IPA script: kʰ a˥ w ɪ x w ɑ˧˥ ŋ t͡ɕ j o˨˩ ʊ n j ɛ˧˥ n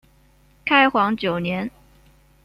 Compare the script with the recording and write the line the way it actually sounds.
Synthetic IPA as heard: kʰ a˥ ɪ x w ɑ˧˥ ŋ t͡ɕ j o˨˩ ʊ n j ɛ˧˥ n

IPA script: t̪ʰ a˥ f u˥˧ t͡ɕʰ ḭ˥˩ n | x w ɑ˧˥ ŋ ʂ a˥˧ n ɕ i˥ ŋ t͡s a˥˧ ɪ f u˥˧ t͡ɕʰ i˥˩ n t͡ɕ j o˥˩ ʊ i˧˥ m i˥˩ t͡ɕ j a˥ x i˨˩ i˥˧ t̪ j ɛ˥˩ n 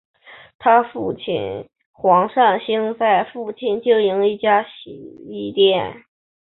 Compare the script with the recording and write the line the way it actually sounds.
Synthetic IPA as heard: t̪ʰ a˥ f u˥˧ t͡ɕʰ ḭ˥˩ n | x w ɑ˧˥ ŋ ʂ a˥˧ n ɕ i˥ ŋ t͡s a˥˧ ɪ f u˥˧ t͡ɕʰ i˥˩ n t͡ɕ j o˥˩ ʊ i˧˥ ŋ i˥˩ t͡ɕ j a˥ ɕ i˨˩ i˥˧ t̪ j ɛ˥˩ n

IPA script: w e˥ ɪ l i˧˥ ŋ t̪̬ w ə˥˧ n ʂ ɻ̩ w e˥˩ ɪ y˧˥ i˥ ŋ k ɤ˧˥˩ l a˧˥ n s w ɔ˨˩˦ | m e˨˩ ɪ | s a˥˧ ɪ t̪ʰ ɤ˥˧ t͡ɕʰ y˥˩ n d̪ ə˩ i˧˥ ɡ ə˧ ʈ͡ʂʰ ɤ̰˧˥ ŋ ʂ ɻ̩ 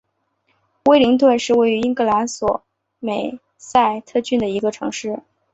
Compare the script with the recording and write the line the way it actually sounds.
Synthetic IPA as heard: w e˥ ɪ l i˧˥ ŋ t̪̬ w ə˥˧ n ʂ ɻ̩ w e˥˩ ɪ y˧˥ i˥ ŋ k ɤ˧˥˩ l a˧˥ n s w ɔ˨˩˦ | m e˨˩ ɪ | s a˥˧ ɪ t̪ʰ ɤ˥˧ t͡ɕ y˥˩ n d̪ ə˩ i˧˥ ɡ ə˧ ʈ͡ʂʰ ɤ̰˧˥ ŋ ʂ ɻ̩

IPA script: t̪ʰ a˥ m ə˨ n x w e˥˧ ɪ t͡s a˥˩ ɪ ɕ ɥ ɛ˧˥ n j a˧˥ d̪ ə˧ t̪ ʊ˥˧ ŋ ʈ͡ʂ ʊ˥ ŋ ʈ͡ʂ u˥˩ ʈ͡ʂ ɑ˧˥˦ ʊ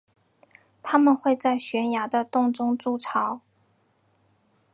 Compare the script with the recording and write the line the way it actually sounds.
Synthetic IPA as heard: t̪ʰ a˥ m ə˨ n x w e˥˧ ɪ t͡s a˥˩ ɪ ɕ ɥ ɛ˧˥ n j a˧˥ d̪ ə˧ t̪ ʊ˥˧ ŋ ʈ͡ʂ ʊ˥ ŋ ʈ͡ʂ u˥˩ ʈ͡ʂʰ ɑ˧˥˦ ʊ

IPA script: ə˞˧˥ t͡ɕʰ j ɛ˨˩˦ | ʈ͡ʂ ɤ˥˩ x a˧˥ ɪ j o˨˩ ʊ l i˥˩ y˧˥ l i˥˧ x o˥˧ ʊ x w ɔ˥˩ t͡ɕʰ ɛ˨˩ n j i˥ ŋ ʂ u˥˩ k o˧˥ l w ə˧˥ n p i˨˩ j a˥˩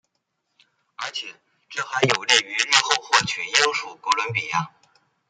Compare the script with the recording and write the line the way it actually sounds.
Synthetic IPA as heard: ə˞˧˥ t͡ɕʰ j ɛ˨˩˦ | ʈ͡ʂ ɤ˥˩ x a˧˥ ɪ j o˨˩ ʊ l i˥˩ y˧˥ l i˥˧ x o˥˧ ʊ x w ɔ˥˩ t͡ɕʰ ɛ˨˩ n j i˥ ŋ ʂ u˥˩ k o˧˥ l w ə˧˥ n p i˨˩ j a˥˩

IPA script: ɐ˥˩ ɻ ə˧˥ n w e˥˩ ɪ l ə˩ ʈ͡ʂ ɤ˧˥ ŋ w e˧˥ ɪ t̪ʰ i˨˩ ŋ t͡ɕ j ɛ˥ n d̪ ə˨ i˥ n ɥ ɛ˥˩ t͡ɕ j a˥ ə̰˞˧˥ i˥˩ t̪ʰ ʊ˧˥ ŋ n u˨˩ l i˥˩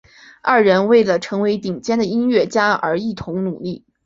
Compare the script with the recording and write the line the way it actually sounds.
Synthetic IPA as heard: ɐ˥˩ ɻ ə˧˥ n w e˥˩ ɪ l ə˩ ʈ͡ʂʰ ɤ˧˥ ŋ w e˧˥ ɪ t̪ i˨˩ ŋ t͡ɕ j ɛ˥ n d̪ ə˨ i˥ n ɥ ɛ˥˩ t͡ɕ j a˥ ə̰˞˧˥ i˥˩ t̪ʰ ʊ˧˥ ŋ n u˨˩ l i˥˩

